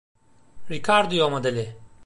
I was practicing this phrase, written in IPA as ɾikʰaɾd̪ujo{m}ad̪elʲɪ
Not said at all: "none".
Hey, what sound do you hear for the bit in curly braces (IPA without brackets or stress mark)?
m